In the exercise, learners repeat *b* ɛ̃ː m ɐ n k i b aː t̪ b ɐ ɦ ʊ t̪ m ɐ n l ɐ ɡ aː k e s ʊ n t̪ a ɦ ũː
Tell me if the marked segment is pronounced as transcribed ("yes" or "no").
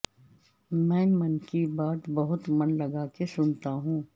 no